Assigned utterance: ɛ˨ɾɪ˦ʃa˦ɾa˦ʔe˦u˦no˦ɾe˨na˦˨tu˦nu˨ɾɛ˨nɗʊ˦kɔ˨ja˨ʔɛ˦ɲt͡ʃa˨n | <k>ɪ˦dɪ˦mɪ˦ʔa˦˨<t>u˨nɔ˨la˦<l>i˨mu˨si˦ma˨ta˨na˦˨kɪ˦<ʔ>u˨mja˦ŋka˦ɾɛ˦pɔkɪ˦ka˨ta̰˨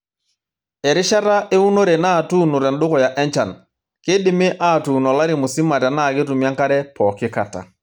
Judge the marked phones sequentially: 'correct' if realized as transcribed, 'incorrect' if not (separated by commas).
correct, correct, incorrect, incorrect